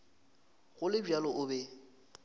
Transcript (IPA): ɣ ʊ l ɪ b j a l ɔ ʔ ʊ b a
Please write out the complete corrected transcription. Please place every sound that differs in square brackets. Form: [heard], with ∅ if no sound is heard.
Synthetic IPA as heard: ɣ ʊ l ɪ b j a l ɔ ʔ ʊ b [ɛ]